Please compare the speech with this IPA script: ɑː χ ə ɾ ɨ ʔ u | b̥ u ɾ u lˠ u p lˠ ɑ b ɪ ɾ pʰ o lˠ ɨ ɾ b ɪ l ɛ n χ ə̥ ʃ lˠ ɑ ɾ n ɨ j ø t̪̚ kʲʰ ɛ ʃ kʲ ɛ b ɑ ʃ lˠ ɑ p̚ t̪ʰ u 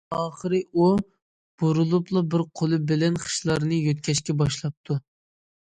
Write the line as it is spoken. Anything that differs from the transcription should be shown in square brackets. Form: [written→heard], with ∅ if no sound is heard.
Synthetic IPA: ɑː χ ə ɾ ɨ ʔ u | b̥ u ɾ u lˠ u p lˠ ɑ b ɪ ɾ [pʰ→qʰ] o lˠ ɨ [ɾ→∅] b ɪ l ɛ n χ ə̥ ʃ lˠ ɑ ɾ n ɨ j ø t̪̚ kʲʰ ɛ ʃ kʲ ɛ b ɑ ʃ lˠ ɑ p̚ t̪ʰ u